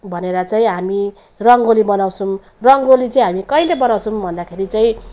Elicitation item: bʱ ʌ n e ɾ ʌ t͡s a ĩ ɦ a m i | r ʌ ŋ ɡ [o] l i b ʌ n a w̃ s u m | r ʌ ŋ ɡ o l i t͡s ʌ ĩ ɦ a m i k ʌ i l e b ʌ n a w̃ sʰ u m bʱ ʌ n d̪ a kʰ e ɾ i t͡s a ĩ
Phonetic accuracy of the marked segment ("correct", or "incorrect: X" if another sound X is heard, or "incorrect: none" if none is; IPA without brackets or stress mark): correct